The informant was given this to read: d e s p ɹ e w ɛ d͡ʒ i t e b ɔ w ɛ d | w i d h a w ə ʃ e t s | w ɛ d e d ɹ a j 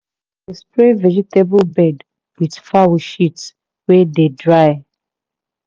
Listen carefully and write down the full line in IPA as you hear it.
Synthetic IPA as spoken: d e s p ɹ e v ɛ d͡ʒ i t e b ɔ b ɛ d | w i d f a w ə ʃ i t s | w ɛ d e d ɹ a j

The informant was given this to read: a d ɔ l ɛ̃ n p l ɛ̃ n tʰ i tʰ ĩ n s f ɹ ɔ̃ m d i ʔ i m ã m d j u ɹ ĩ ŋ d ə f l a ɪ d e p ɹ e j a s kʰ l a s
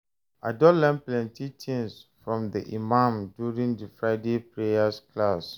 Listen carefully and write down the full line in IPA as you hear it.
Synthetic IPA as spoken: a d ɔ l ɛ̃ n p l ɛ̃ n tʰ i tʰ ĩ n s f ɹ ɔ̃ m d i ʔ i m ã m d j u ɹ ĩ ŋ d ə f ɹ a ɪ d e p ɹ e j a s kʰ l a s

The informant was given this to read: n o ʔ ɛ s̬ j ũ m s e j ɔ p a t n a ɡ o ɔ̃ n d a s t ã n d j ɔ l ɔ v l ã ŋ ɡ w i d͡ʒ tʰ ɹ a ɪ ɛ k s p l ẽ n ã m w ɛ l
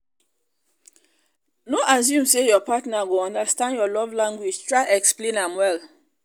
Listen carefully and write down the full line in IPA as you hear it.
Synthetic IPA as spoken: n o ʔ a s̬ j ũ m s e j ɔ p a t n a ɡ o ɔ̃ n d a s t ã n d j ɔ l ɔ v l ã ŋ ɡ w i d͡ʒ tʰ ɹ a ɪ ɛ k s p l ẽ n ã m w ɛ l

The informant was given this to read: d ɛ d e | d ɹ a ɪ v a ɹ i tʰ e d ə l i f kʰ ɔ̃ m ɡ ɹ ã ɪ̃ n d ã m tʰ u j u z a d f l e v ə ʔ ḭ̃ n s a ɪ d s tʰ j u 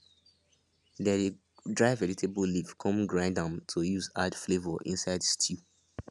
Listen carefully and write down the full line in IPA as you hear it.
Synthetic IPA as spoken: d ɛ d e | d ɹ a ɪ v ɛ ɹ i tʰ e b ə l i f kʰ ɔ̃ m ɡ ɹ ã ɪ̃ n d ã m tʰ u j u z a d f l e v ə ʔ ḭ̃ n s a ɪ d s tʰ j u

